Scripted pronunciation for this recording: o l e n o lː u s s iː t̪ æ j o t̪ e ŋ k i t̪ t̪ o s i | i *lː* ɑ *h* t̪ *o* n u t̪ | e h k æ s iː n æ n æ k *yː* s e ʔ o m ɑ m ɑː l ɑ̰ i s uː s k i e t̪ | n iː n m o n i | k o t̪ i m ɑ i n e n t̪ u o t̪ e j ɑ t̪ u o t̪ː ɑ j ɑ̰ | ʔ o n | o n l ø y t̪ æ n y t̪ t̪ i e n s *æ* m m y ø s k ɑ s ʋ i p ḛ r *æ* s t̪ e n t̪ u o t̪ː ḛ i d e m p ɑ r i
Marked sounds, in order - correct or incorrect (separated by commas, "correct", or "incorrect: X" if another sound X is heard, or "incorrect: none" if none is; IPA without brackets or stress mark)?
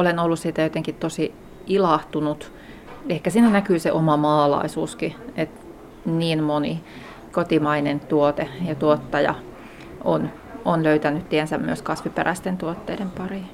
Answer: incorrect: l, correct, incorrect: u, correct, correct, correct